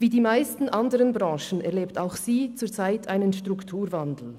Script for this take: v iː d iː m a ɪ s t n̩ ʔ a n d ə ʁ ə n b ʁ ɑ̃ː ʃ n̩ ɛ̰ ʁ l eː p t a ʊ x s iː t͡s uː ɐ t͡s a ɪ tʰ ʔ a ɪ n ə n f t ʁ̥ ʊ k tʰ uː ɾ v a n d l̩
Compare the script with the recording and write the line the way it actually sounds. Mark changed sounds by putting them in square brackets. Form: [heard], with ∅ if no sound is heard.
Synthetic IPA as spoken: v iː d iː m a ɪ s t n̩ ʔ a n d ə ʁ ə n b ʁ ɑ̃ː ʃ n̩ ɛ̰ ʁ l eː p t a ʊ x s iː t͡s uː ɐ t͡s a ɪ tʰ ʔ a ɪ n ə n [ʃ] t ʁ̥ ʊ k tʰ uː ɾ v a n d l̩